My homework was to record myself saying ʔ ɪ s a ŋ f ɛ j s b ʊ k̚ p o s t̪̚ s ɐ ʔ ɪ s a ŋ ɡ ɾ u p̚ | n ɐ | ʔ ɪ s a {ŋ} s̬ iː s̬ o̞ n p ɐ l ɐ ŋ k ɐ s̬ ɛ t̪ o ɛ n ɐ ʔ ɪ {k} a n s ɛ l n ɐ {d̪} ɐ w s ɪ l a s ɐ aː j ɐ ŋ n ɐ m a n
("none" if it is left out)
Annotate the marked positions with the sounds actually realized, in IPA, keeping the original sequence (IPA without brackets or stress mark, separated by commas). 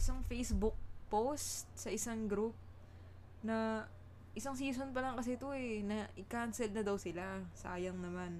ŋ, k, d̪